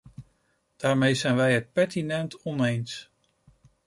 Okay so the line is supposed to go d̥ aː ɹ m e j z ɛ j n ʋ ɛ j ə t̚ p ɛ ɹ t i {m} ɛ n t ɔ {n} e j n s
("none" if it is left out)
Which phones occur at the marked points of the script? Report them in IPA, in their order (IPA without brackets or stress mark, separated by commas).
n, n